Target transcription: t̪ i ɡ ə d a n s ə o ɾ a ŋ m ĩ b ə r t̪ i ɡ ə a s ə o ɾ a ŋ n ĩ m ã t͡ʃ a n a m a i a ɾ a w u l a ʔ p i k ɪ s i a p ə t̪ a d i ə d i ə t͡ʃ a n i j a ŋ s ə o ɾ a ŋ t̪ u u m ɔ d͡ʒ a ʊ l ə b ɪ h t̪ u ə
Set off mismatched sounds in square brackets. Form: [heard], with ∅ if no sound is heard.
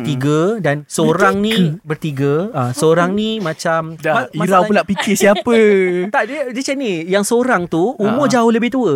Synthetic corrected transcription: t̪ i ɡ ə d a n s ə o ɾ a ŋ [n] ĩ b ə r t̪ i ɡ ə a s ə o ɾ a ŋ n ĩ m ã t͡ʃ a [m] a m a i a ɾ a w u l a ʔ p i k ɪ s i a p ə t̪ a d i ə d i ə t͡ʃ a n i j a ŋ s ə o ɾ a ŋ t̪ u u m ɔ d͡ʒ a ʊ l ə b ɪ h t̪ u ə